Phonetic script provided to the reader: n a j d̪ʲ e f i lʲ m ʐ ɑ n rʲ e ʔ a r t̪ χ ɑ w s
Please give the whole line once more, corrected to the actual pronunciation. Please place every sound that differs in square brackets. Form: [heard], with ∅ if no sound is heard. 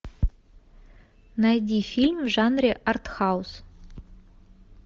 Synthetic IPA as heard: n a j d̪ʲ [i] f i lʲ m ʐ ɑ n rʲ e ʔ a r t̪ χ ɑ w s